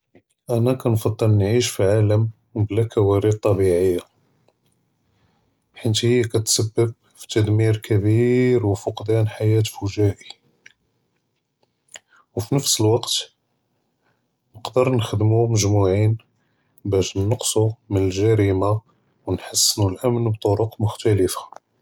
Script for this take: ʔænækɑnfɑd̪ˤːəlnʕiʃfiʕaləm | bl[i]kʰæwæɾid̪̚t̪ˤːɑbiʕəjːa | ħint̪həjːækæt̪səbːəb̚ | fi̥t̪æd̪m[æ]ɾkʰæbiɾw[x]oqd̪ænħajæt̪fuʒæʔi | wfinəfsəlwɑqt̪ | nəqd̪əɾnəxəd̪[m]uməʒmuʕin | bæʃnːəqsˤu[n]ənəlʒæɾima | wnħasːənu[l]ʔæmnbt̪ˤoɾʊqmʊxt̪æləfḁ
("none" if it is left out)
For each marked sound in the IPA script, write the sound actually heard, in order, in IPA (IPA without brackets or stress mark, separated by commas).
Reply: æ, i, f, m, m, l